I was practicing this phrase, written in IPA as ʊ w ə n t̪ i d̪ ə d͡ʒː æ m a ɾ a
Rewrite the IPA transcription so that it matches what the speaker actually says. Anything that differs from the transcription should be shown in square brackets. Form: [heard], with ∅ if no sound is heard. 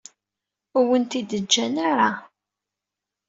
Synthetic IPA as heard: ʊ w ə n t̪ i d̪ ə d͡ʒː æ [n] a ɾ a